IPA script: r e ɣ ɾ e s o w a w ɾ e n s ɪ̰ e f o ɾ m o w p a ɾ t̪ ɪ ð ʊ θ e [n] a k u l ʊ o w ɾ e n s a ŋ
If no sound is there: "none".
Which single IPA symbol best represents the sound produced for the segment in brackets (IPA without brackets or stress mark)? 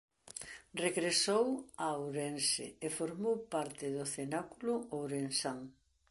n